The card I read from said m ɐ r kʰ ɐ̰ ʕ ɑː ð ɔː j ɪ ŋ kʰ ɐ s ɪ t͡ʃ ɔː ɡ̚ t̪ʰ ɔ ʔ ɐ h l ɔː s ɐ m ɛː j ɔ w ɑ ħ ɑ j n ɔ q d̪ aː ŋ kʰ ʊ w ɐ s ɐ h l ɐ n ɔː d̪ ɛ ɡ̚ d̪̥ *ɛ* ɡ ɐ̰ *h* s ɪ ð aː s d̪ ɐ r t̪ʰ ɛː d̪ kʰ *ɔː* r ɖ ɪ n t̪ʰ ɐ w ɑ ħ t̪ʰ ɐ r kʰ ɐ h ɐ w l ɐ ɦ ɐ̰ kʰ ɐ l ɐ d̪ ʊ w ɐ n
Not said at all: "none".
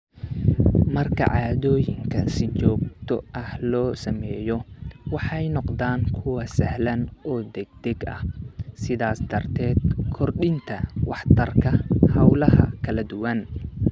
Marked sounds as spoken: ɛ, h, ɔ

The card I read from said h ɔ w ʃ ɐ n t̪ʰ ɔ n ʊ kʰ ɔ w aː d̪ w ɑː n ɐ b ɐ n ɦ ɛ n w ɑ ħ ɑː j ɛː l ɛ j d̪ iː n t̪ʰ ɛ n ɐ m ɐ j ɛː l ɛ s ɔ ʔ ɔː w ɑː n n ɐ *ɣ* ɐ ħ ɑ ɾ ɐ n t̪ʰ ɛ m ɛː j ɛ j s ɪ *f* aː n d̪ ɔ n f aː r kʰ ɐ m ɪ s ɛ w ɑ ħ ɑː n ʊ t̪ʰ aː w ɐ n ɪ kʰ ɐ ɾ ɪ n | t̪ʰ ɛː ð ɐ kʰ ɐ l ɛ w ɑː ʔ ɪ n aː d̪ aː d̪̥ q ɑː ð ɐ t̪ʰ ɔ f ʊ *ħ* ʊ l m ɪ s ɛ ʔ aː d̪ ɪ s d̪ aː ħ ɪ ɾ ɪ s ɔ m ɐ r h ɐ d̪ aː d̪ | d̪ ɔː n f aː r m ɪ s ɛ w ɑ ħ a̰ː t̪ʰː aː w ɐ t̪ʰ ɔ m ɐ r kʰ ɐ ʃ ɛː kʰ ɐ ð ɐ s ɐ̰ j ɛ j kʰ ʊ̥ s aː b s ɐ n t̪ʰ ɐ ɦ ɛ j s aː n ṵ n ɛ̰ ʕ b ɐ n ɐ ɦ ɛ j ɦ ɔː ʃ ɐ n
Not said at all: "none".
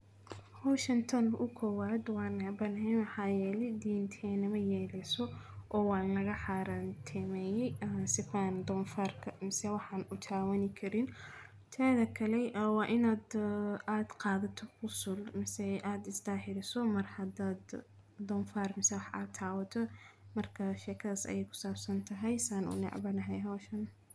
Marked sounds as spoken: ɣ, f, s

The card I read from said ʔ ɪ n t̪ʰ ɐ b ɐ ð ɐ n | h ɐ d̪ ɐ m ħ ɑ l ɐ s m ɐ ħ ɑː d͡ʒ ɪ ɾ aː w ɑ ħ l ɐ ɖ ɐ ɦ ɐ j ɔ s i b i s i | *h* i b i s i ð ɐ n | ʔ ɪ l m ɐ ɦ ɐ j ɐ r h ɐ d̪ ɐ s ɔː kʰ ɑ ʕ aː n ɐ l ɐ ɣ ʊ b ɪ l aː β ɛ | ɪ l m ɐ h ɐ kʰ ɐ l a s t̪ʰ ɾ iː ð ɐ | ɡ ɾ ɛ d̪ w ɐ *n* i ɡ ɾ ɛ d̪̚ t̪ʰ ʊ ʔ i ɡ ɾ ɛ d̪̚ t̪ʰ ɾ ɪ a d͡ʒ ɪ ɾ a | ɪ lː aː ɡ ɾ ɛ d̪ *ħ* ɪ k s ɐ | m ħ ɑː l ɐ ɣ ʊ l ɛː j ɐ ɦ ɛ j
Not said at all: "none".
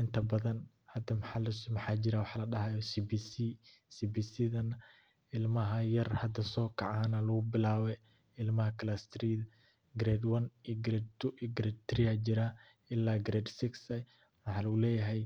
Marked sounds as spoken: s, n, s

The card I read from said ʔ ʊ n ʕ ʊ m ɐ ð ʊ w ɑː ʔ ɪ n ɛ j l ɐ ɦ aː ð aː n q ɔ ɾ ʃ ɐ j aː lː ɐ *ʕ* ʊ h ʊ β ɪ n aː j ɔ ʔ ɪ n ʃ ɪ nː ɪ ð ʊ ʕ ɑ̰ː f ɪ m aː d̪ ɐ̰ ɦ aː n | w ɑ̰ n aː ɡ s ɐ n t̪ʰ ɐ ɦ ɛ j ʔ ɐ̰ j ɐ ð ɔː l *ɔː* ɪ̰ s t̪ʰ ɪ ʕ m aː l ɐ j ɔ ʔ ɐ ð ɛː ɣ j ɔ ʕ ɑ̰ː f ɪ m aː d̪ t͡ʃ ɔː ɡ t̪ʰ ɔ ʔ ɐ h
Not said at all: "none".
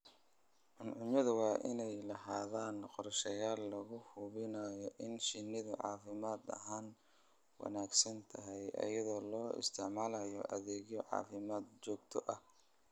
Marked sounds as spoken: ɣ, ɔː

